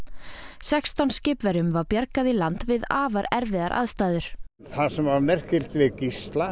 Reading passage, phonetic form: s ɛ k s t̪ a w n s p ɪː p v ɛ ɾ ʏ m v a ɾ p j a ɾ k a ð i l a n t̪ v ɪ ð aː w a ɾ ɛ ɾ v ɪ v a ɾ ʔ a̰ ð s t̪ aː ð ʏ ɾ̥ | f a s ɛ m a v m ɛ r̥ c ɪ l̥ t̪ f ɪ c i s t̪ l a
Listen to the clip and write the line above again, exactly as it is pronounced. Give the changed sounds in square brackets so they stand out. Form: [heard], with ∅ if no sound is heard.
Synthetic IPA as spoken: s ɛ k s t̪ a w n s [c] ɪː p v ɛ ɾ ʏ m v a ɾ p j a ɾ k a ð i l a n t̪ v ɪ ð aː [v] a ɾ ɛ ɾ v ɪ [ð] a ɾ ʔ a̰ ð s t̪ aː ð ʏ ɾ̥ | [θ] a s ɛ m a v m ɛ r̥ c ɪ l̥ t̪ [v] ɪ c i s t̪ l a